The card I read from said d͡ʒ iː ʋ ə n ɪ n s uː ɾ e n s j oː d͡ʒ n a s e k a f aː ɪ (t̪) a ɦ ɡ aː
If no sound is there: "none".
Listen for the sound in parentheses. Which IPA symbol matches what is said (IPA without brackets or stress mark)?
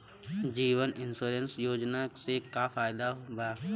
d̪